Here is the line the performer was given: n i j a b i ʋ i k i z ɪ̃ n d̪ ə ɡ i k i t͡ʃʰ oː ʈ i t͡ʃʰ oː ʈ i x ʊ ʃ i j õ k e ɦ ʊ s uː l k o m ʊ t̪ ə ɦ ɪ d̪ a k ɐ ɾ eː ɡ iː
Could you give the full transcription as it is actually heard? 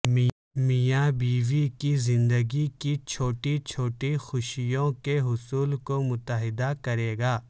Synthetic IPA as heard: m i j a b iː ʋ i k i z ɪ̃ n d̪ ə ɡ i k i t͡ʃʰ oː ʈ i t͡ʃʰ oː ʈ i x ʊ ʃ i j õ k e ɦ ʊ s uː l k o m ʊ t̪ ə ɦ ɪ d̪ a k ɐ ɾ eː ɡ aː